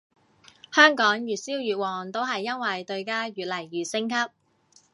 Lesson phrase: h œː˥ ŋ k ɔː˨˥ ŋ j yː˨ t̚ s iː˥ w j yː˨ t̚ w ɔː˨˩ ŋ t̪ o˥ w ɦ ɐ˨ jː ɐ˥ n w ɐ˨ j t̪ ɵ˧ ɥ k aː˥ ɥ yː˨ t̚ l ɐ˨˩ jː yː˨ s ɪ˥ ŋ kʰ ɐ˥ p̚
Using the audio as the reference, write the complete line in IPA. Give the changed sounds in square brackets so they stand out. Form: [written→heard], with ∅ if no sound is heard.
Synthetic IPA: h œː˥ ŋ k ɔː˨˥ ŋ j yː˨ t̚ s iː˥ w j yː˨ t̚ w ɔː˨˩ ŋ t̪ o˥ w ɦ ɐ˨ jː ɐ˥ n w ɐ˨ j t̪ ɵ˧ ɥ k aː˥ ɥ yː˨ t̚ l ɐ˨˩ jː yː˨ s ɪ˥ ŋ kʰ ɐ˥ p̚

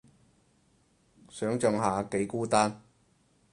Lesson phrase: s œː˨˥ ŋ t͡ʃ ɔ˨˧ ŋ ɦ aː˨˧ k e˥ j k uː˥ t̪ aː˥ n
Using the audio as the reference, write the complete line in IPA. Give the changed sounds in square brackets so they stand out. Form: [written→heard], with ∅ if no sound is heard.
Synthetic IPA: s œː˨˥ ŋ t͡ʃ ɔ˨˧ ŋ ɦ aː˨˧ k [e˥→e˨˥] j k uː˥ t̪ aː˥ n

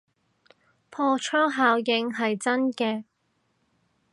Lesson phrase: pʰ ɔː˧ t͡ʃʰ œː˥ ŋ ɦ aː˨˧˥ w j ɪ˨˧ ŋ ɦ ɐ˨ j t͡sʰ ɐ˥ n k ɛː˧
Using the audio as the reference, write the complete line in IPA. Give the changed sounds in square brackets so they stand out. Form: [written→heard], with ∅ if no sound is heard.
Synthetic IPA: pʰ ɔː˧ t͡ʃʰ œː˥ ŋ ɦ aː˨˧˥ w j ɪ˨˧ ŋ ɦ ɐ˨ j [t͡sʰ→t͡s] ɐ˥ n k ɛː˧

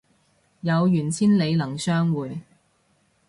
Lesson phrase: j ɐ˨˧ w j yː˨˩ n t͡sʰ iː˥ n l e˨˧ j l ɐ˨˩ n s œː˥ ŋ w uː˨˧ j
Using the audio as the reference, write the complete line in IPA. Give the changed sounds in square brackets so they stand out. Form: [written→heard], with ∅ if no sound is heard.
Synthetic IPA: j ɐ˨˧ w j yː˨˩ n t͡sʰ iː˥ n l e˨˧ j l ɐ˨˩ [n→ŋ] s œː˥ ŋ w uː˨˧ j

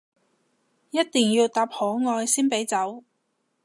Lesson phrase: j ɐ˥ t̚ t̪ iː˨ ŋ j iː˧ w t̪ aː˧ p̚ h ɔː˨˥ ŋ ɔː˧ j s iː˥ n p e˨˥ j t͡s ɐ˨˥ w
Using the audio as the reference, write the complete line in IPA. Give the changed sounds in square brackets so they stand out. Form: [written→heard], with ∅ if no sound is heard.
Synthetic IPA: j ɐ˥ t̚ t̪ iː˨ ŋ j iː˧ w t̪ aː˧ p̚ h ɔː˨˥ ŋ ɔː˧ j s iː˥ n p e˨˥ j t͡s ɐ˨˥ w

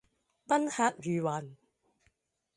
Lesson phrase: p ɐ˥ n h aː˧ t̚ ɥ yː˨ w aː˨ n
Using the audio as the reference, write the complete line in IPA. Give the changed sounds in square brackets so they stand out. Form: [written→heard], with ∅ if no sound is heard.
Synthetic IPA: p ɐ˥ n h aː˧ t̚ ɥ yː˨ w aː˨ n

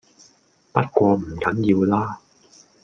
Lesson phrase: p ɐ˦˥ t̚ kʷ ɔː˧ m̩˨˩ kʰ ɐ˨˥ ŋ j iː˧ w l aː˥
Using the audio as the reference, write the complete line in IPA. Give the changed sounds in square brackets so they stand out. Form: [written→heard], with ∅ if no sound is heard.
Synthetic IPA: p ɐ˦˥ t̚ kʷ ɔː˧ m̩˨˩ [kʰ→k] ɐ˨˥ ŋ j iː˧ w l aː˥

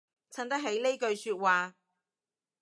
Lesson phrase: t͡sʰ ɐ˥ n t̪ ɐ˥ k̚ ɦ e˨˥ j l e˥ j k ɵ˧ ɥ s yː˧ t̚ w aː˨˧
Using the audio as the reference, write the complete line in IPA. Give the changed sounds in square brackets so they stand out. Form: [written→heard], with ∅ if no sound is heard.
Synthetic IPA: t͡sʰ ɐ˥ n t̪ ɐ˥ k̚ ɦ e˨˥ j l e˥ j k ɵ˧ ɥ s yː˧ t̚ w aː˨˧

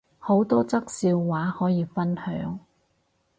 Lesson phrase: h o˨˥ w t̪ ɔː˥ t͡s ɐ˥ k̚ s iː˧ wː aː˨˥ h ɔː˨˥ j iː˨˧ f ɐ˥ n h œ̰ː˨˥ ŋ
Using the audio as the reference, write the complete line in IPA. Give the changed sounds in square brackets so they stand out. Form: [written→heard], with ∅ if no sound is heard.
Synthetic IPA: h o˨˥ w t̪ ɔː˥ t͡s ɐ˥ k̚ s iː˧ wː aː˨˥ h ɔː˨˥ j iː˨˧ f ɐ˥ n h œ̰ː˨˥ ŋ

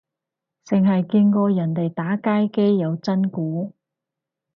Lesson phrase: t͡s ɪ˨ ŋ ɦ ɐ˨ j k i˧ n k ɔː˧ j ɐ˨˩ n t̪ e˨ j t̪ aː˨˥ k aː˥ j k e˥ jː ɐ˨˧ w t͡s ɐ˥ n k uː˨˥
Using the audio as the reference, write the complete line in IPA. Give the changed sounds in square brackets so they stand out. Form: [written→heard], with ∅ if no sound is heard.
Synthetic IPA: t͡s ɪ˨ ŋ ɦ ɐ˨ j k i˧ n k ɔː˧ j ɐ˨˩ n t̪ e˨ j t̪ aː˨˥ k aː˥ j k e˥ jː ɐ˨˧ w t͡s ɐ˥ n k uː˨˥

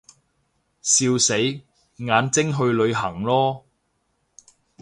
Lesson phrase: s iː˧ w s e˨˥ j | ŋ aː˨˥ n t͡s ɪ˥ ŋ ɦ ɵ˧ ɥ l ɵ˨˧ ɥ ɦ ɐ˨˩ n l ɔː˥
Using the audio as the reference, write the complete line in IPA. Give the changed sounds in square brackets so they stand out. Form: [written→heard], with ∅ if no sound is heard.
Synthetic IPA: s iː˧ w s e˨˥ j | ŋ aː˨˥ n t͡s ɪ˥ ŋ ɦ ɵ˧ ɥ l ɵ˨˧ ɥ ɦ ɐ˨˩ [n→ŋ] l ɔː˥

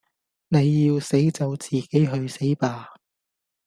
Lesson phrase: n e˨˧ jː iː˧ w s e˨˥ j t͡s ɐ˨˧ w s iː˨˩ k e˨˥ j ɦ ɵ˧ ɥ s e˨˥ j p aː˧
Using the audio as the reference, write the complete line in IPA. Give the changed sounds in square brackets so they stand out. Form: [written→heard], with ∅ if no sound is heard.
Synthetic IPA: n e˨˧ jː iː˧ w s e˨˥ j t͡s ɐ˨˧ w [s→t͡s] iː˨˩ k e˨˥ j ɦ ɵ˧ ɥ s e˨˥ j p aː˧

